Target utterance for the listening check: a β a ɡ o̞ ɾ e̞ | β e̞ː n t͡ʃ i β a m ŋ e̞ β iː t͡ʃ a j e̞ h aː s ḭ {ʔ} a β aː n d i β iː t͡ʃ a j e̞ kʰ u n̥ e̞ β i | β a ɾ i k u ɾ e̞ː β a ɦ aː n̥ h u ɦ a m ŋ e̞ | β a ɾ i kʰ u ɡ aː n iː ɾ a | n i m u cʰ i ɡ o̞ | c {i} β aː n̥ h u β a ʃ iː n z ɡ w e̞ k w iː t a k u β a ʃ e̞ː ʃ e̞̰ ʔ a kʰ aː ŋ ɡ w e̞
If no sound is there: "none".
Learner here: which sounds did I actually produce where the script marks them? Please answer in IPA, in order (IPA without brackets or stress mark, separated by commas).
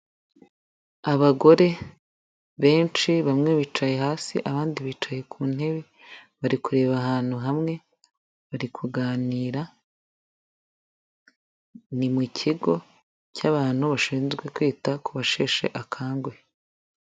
ʔ, a